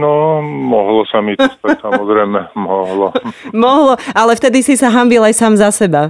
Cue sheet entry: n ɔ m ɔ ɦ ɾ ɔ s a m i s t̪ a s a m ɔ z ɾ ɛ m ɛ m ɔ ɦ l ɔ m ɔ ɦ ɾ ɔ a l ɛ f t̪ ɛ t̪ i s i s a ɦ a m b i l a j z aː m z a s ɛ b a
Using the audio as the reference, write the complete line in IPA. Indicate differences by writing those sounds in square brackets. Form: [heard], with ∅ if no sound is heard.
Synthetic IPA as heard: n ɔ m ɔ ɦ [l] ɔ s a m i s t̪ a s a m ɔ z ɾ ɛ m ɛ m ɔ ɦ l ɔ m ɔ ɦ [l] ɔ a l ɛ f t̪ ɛ [d̪] i s i s a ɦ a m b i l a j [s] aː m z a s ɛ b a